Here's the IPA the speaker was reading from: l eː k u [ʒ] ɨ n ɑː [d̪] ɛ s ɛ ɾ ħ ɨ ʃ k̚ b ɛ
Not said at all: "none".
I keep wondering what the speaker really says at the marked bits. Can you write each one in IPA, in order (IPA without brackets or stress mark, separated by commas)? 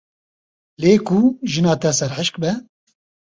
ʒ, t̪